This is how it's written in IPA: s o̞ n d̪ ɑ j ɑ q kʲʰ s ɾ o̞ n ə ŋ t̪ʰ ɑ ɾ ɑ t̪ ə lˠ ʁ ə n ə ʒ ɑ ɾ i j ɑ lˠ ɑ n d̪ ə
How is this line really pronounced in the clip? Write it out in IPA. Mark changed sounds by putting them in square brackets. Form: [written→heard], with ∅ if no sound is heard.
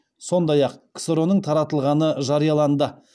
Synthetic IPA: s o̞ n d̪ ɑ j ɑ q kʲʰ s ɾ o̞ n ə [ŋ→ɴ] t̪ʰ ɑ ɾ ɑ t̪ ə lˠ ʁ [ə→ɑ] n ə ʒ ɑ ɾ i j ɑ lˠ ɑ n d̪ ə